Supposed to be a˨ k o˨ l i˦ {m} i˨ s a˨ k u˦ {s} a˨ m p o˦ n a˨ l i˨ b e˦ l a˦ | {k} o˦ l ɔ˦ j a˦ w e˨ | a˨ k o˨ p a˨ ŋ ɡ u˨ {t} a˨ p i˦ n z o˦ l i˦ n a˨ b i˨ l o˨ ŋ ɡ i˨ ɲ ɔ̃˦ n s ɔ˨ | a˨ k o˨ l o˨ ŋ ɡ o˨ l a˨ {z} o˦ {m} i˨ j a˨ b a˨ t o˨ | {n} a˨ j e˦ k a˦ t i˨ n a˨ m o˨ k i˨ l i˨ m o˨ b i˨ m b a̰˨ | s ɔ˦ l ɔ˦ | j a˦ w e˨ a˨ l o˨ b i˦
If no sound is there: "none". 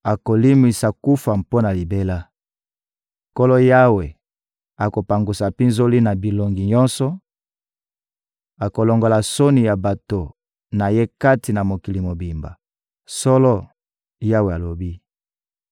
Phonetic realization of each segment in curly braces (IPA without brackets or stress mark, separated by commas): m, f, k, s, s, n, n